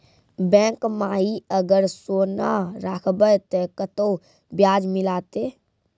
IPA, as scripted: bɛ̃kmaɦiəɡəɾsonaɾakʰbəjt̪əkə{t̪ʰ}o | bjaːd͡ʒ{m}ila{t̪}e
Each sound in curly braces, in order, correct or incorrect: incorrect, correct, correct

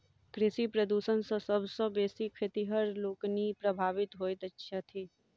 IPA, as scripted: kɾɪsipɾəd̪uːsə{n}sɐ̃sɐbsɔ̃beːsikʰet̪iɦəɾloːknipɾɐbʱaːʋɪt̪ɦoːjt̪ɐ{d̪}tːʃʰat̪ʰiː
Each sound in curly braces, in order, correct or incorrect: correct, incorrect

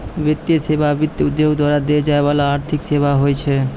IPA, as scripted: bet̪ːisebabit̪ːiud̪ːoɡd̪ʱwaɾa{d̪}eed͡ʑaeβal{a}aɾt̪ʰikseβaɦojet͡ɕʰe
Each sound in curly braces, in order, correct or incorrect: correct, correct

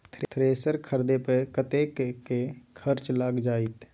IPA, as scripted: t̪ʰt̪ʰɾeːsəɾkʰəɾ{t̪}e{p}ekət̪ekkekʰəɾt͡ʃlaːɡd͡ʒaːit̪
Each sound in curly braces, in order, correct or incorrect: incorrect, correct

